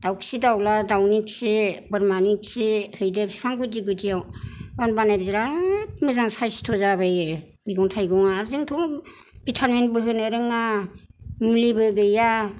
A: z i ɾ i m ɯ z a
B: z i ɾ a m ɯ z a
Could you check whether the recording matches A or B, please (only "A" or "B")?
B